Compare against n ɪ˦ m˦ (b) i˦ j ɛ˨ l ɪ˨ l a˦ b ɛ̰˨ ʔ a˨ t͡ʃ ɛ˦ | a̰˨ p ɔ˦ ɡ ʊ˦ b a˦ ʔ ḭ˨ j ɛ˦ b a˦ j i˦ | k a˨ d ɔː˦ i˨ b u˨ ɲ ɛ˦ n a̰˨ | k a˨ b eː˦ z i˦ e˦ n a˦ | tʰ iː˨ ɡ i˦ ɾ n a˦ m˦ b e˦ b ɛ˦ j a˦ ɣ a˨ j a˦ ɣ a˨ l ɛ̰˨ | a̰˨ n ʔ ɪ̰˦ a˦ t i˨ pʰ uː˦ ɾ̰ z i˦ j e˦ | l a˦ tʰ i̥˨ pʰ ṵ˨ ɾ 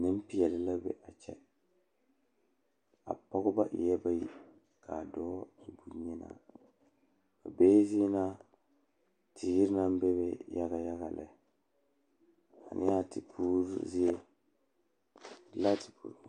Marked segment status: incorrect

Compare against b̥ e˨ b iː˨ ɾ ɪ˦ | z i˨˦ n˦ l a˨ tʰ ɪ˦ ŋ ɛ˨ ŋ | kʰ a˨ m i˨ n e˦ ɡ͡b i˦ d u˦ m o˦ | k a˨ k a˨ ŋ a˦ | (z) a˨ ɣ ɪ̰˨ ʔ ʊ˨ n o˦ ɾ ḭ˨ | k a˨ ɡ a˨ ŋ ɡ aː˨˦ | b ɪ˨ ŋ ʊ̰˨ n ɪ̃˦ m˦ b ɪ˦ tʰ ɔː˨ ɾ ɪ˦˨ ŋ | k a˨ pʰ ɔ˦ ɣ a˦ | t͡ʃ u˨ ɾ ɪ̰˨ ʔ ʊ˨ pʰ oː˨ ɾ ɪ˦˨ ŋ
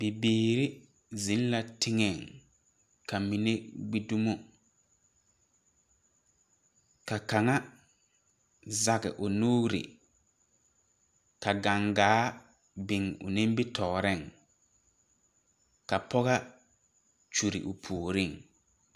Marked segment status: correct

